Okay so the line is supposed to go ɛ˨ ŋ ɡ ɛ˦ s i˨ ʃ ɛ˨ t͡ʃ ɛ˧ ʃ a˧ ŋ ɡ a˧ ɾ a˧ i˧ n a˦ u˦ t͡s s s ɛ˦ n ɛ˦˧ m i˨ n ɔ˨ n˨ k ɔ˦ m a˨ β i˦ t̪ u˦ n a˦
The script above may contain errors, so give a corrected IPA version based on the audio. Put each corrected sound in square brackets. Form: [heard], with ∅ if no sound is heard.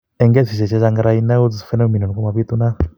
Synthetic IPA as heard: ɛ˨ ŋ ɡ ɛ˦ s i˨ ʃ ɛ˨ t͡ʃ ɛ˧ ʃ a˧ ŋ ɡ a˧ ɾ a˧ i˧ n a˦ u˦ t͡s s [f] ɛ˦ n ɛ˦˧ m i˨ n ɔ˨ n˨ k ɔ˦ m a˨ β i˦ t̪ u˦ n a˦